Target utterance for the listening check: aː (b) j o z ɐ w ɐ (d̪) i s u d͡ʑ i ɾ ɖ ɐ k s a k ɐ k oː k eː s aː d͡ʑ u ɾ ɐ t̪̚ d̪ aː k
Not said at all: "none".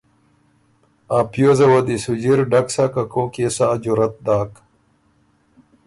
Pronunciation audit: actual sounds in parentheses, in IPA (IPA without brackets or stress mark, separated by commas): p, d̪